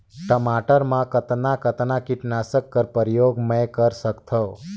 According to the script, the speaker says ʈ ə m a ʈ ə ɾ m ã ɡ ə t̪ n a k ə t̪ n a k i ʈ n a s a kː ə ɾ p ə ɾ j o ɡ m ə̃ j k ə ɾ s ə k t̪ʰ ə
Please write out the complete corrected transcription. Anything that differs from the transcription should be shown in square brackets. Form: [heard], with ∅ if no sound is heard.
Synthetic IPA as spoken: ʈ ə m a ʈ ə ɾ m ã [k] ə t̪ n a k ə t̪ n a k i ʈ n a s [ə] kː ə ɾ p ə ɾ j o ɡ m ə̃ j k ə ɾ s ə k t̪ʰ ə